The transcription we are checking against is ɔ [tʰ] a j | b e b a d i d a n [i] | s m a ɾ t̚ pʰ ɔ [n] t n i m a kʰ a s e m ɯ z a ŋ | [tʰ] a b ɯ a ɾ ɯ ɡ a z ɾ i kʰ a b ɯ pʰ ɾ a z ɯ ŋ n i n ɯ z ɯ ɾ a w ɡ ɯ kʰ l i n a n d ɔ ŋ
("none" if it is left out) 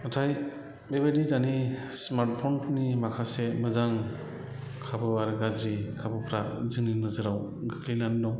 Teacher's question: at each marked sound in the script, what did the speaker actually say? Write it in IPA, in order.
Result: tʰ, i, n, kʰ

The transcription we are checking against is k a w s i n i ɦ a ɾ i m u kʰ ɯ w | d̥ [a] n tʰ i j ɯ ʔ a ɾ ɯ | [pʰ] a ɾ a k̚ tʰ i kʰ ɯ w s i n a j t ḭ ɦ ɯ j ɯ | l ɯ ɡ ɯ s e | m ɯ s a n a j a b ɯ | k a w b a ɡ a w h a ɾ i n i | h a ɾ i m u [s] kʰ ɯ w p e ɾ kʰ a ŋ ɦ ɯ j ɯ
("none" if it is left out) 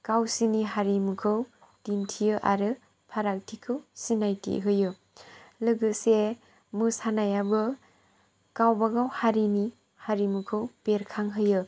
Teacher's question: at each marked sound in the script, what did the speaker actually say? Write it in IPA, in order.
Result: i, pʰ, none

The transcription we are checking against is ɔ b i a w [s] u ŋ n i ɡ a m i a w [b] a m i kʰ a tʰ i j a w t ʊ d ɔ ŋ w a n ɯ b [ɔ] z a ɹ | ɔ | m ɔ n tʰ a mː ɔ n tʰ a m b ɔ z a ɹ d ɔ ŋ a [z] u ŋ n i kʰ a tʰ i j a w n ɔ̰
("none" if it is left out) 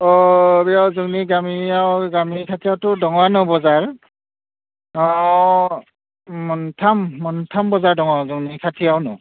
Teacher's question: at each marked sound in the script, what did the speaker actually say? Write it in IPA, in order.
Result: z, ɡ, ɔ, z

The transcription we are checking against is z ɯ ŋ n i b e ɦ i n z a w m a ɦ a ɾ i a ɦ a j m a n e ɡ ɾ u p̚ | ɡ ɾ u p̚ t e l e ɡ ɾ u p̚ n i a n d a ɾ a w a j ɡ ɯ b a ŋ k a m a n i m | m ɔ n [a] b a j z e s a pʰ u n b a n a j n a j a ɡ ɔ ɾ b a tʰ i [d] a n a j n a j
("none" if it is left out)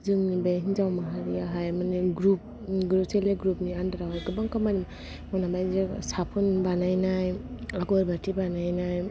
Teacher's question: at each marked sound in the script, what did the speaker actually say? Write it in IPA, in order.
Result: a, b

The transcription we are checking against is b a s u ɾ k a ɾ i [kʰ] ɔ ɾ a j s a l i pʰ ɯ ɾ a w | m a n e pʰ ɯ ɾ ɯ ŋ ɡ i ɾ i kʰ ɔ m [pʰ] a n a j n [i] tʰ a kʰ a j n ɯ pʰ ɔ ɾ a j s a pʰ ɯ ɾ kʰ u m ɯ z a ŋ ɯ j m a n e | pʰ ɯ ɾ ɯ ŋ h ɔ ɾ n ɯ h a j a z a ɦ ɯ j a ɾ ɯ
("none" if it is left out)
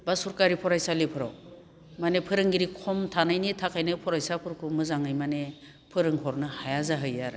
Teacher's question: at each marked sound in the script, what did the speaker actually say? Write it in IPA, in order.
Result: pʰ, tʰ, i

